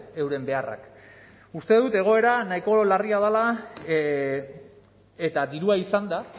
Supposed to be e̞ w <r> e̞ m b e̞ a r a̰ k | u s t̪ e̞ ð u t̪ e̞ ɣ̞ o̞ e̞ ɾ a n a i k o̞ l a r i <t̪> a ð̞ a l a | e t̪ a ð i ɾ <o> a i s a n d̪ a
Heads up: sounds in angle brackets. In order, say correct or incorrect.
incorrect: ɾ, incorrect: none, incorrect: u

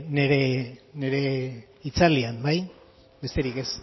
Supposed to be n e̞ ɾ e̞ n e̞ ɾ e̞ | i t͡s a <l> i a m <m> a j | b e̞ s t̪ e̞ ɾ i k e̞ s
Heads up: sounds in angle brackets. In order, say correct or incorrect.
correct, incorrect: b

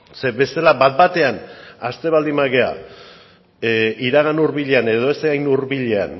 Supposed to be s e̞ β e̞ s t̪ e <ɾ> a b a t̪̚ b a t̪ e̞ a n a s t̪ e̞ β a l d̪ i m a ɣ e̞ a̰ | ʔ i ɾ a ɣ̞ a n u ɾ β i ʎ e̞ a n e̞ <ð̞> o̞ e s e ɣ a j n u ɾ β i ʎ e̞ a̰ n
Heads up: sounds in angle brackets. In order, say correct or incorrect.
incorrect: l, correct

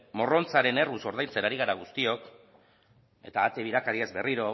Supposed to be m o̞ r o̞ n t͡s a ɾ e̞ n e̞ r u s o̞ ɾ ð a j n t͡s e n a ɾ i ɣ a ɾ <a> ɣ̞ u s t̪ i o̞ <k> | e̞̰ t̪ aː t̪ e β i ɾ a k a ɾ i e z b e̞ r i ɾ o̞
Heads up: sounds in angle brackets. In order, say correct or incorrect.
correct, correct

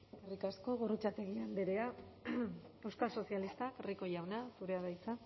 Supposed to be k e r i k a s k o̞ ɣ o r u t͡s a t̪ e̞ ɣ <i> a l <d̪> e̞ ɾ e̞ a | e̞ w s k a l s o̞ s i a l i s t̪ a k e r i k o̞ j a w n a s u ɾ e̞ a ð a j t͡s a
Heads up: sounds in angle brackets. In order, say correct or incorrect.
correct, correct

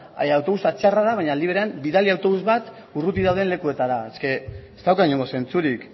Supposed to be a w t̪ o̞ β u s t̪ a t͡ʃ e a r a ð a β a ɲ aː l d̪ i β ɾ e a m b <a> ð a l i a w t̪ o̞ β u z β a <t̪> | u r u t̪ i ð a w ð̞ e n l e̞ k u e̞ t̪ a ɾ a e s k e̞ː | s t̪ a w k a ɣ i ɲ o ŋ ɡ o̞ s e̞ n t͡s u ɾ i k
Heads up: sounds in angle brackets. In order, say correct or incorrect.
incorrect: i, correct

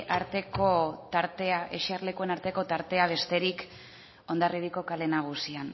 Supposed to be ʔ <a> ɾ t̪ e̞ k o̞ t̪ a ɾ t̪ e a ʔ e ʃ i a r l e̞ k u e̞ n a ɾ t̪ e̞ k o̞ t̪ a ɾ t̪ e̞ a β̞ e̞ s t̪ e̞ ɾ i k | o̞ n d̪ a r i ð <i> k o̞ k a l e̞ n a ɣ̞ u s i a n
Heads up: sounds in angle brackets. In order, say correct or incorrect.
correct, correct

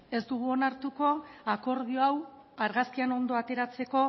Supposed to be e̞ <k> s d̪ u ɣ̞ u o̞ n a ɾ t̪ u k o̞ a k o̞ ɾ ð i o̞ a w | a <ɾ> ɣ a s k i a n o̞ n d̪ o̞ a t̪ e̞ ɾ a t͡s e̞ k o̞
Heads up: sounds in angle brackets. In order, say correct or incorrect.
incorrect: none, correct

